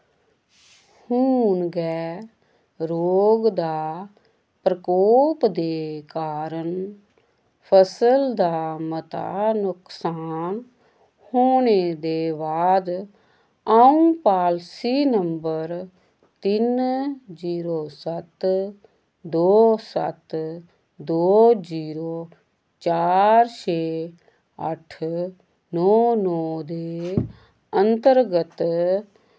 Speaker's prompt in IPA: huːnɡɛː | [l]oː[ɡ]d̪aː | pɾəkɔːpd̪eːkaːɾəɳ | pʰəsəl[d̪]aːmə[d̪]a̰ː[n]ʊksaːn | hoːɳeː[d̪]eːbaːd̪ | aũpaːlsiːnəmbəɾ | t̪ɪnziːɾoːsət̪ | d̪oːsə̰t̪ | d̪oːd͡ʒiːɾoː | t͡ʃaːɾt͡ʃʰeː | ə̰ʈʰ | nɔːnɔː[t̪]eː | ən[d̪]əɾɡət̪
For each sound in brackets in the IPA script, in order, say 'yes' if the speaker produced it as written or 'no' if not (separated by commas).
no, yes, yes, no, yes, yes, no, no